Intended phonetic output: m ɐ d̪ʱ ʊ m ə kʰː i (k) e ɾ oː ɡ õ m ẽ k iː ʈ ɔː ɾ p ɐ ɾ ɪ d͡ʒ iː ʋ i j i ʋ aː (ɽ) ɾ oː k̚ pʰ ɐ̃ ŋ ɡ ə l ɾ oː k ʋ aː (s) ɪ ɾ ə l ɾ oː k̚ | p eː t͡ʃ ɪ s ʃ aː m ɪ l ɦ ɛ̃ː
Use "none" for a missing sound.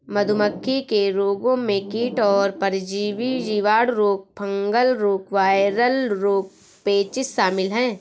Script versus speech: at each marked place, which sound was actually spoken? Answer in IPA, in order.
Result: k, ɽ, none

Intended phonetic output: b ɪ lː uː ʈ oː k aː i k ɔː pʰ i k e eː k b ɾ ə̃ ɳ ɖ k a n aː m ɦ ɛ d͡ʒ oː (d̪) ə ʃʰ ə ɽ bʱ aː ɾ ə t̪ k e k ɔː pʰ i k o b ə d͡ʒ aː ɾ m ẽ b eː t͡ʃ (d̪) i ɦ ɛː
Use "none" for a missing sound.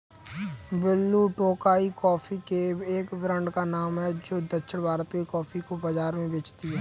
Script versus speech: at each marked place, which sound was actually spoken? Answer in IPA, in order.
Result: d̪, t̪

